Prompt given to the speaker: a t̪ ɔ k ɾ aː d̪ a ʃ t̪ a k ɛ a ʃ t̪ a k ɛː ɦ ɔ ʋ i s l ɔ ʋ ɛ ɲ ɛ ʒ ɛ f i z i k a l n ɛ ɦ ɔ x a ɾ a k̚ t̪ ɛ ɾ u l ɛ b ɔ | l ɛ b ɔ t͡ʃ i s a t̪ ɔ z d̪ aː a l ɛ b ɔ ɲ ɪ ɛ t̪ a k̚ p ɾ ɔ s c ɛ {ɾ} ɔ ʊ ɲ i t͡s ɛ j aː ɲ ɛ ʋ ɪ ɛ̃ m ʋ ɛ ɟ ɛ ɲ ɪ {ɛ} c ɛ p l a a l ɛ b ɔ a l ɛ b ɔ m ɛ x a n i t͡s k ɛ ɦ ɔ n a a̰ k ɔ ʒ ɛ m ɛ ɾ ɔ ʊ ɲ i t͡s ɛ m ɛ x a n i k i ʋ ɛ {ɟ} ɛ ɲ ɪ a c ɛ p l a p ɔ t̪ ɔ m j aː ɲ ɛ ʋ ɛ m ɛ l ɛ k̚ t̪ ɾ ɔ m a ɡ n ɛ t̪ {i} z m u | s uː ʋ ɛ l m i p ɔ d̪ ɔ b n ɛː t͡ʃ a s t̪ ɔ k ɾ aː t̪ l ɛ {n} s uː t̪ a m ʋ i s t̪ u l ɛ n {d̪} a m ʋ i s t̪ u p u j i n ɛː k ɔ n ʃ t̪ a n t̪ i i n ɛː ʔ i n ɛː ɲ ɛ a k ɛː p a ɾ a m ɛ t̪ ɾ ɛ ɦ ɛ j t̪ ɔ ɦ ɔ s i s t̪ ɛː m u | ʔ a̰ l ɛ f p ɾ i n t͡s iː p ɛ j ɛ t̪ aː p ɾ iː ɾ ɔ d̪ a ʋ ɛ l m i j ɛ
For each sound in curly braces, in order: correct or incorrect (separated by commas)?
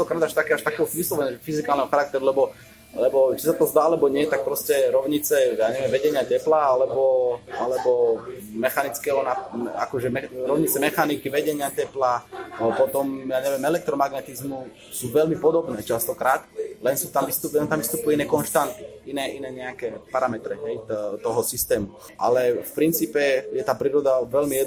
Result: correct, incorrect, correct, correct, correct, incorrect